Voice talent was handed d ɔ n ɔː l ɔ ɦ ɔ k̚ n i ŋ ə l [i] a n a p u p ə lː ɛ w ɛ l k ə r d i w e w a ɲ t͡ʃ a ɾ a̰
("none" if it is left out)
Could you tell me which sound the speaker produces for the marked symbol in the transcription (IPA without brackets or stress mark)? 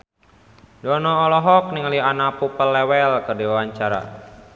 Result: i